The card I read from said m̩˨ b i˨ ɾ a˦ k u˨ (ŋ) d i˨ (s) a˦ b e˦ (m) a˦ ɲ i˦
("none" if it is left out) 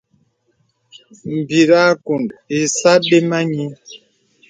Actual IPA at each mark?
n, s, m

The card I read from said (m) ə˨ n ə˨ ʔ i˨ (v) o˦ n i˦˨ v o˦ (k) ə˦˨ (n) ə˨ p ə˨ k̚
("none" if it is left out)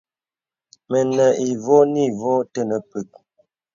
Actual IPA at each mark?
m, v, t, n

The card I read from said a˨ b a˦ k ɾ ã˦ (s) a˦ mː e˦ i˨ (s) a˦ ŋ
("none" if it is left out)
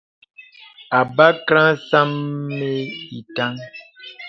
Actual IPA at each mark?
s, t

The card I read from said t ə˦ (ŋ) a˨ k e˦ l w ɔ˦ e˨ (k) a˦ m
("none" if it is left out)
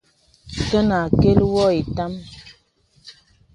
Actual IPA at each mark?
n, t

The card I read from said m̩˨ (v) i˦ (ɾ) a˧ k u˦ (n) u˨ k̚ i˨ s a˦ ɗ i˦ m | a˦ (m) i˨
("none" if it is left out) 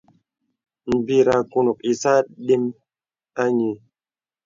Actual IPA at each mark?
b, ɾ, n, ɲ

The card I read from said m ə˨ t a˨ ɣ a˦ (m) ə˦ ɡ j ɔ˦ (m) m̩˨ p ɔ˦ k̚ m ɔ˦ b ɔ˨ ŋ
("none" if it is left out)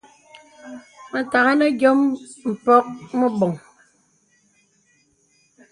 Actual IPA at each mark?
n, m

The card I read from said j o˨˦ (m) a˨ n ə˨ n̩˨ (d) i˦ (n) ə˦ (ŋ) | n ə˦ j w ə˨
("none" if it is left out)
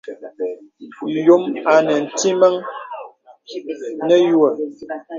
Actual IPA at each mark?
m, t, m, ŋ

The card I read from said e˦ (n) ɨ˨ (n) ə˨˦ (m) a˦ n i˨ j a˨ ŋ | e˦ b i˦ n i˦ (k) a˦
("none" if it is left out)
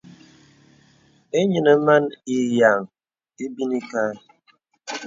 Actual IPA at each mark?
ɲ, n, m, k

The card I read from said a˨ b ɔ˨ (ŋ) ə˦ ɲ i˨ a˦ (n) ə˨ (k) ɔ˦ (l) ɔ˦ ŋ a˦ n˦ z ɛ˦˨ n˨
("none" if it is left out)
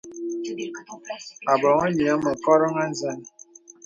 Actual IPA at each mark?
ŋ, m, k, ɾ

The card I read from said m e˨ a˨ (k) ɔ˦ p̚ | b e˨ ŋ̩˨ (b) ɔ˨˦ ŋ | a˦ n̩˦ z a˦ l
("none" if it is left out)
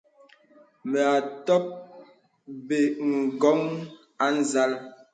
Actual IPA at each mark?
t, ɡ

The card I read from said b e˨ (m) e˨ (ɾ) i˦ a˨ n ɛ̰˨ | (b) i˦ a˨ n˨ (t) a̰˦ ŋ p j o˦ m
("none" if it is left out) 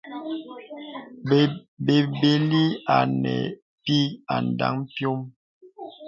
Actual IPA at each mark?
b, l, p, d

